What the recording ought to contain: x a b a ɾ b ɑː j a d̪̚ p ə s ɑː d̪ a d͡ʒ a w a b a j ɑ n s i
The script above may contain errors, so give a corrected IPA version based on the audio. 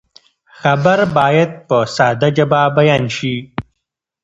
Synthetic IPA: x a b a ɾ b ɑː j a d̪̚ p ə s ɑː d̪ a d͡ʒ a b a b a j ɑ n ʃ i